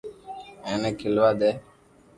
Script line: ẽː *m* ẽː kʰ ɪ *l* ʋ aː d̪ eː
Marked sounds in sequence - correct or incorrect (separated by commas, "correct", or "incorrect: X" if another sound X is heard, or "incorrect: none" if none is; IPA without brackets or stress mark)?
incorrect: n, correct